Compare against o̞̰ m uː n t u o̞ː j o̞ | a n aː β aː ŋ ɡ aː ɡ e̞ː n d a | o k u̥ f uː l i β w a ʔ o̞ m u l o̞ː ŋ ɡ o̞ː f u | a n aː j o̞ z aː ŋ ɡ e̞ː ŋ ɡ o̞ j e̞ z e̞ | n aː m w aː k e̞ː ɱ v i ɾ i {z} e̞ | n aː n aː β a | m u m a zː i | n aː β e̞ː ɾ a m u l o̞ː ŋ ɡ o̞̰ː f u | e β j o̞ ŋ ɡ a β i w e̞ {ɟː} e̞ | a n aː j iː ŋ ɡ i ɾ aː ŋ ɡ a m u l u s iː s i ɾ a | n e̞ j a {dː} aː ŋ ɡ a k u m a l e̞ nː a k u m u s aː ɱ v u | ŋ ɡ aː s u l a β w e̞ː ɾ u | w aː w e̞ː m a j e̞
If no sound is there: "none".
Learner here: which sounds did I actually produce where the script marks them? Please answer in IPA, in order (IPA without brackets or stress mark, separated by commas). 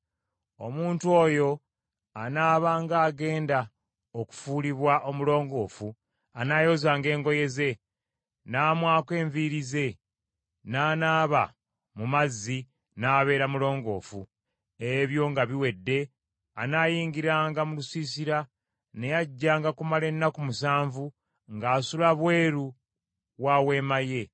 z, dː, ɟː